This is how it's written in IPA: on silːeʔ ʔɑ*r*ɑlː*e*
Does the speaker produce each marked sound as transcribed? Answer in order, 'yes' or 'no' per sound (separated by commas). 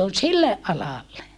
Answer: no, yes